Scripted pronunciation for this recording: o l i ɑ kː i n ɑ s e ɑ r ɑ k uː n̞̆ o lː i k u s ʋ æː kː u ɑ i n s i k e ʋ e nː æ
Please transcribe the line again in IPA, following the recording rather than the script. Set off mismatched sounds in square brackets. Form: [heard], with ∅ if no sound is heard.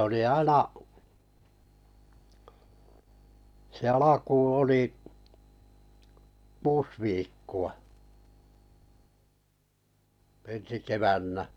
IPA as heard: o l i ɑ [∅] i n ɑ s e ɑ [l] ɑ k uː n̞̆ o [l] i k [uː] s ʋ [iː] kː u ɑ [e] n s i k e ʋ [æ] nː æ